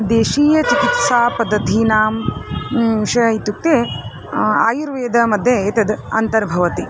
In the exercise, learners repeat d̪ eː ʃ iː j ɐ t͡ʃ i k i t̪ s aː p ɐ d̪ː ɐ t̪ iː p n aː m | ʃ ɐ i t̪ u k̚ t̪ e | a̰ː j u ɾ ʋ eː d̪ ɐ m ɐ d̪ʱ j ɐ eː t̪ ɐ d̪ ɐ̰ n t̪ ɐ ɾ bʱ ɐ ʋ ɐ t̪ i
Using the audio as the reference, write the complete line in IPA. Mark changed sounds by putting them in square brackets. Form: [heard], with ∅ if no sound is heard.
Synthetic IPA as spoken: d̪ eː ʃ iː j ɐ t͡ʃ i k i t̪ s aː p ɐ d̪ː ɐ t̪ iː [∅] n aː m | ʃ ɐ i t̪ u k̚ t̪ e | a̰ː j u ɾ ʋ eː d̪ ɐ m ɐ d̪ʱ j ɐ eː t̪ ɐ d̪ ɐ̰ n t̪ ɐ ɾ bʱ ɐ ʋ ɐ t̪ i